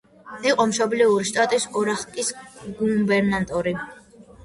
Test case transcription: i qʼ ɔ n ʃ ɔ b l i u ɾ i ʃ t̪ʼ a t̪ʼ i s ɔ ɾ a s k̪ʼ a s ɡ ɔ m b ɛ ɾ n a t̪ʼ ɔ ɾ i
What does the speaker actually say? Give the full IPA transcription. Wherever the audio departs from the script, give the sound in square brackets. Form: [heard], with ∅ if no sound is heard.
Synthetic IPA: i qʼ ɔ [m] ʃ ɔ b l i u ɾ i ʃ t̪ʼ a t̪ʼ i s ɔ ɾ a [χ] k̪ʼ [i] s ɡ [u] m b ɛ ɾ n a t̪ʼ ɔ ɾ i